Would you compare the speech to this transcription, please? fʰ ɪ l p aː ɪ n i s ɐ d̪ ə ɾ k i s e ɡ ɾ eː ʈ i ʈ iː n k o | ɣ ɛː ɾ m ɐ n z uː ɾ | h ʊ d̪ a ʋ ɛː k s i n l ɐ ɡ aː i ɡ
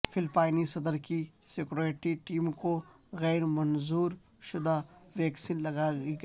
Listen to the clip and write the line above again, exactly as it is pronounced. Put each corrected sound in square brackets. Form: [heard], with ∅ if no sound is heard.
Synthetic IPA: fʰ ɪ l p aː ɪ n i s ɐ d̪ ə ɾ k i s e [k] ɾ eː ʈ i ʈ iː [m] k o | ɣ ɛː ɾ m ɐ n z uː ɾ | [ʃ] ʊ d̪ a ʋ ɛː k s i n l ɐ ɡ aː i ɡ